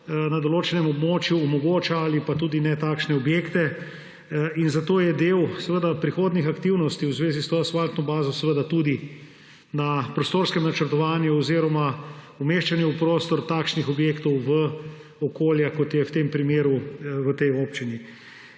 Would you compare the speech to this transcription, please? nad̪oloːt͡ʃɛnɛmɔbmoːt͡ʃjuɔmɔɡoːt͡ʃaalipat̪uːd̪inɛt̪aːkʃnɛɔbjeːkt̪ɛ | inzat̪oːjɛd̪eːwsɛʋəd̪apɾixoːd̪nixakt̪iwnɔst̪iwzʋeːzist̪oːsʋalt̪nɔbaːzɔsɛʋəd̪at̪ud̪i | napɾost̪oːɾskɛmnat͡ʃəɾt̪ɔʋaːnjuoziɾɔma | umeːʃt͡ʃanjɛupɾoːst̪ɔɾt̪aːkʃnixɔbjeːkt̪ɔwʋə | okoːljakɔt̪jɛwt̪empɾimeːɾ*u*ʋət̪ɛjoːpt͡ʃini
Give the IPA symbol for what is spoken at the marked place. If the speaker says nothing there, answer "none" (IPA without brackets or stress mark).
u